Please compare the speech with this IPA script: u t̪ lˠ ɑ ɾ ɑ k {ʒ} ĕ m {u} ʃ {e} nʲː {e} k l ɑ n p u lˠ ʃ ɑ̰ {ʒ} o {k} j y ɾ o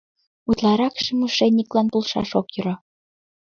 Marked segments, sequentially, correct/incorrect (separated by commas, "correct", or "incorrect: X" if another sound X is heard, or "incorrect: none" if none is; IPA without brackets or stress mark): incorrect: ʃ, correct, correct, incorrect: i, incorrect: ʃ, correct